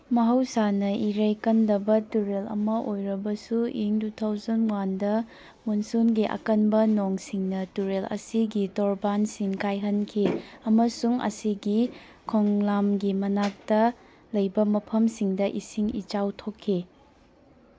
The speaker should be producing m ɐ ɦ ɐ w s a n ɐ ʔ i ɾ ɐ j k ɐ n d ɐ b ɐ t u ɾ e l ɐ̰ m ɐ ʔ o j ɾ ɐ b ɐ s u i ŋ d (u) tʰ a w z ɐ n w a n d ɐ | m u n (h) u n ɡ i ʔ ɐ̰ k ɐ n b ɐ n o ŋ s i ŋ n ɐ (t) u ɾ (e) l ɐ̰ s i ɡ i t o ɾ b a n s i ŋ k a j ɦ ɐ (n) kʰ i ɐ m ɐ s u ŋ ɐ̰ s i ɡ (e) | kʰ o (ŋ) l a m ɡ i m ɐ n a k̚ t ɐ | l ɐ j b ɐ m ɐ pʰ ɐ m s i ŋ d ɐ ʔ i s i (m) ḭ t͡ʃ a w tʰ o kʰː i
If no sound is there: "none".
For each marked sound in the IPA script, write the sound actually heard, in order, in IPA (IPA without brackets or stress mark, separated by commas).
u, s, t, e, n, i, ŋ, ŋ